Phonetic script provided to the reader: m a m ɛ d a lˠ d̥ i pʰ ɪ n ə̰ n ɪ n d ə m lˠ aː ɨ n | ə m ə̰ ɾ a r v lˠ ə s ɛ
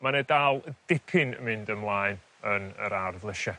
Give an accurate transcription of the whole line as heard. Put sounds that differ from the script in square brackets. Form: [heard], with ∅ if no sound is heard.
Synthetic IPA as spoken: m a [n] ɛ d a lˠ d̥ [ɪ] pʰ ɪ n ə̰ [m] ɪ n d ə m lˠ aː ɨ n | ə [n] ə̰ ɾ a r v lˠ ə [ʃ] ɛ